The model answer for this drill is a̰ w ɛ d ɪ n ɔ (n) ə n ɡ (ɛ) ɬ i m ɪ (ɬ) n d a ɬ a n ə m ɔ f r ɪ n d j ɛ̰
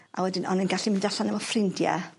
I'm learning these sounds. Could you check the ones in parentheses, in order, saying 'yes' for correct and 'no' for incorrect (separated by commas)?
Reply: yes, no, no